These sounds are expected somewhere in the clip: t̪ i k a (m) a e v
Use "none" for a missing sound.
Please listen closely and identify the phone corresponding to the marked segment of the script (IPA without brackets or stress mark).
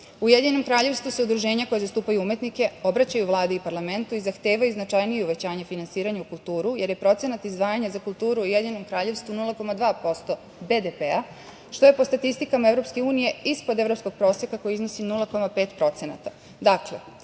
m